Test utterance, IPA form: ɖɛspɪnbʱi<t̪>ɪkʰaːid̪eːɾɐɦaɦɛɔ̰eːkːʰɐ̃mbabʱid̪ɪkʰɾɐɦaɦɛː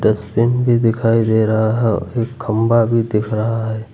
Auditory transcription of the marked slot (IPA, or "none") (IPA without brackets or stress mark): d̪